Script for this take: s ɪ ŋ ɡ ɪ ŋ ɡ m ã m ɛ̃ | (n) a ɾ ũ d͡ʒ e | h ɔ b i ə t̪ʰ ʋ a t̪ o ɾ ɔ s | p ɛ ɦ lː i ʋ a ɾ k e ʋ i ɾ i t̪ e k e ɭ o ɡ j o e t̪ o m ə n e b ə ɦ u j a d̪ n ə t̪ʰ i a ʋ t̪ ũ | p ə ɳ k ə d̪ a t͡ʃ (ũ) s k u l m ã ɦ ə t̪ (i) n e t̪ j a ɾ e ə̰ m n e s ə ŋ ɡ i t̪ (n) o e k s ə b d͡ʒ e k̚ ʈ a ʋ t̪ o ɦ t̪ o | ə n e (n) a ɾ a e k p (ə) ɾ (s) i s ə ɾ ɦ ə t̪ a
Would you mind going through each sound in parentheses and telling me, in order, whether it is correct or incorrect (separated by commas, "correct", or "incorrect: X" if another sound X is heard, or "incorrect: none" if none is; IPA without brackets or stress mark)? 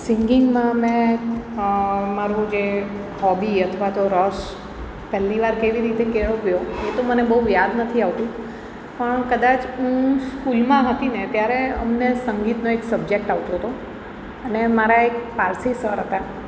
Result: incorrect: m, correct, correct, correct, incorrect: m, incorrect: a, correct